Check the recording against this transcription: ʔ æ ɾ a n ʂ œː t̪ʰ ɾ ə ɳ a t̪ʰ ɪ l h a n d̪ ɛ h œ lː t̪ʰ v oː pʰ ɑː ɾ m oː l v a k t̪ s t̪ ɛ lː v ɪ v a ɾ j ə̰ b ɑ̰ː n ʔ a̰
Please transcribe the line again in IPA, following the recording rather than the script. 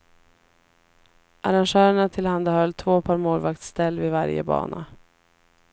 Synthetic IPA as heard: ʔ a ɾ a n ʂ œː ɾ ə ɳ a t̪ʰ ɪ l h a n d̪ a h œ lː t̪ʰ v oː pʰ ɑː ɾ m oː l v a k t̪ s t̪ ɛ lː v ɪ v a ɾ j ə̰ b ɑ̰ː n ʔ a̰